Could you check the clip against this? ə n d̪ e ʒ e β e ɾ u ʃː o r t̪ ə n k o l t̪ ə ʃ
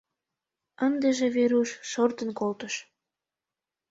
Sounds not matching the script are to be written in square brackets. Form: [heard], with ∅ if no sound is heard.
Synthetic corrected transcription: ə n d̪ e ʒ e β e ɾ u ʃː o r t̪ ə n k o l t̪ ə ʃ

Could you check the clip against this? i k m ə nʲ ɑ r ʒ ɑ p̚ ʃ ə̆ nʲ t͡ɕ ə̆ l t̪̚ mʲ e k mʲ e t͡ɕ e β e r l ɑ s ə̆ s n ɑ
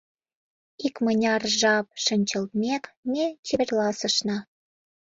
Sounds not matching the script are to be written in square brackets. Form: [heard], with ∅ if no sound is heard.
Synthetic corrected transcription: i k m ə nʲ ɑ r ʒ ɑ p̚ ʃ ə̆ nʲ t͡ɕ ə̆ l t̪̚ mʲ e k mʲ e t͡ɕ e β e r l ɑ s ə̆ [ʃ] n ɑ

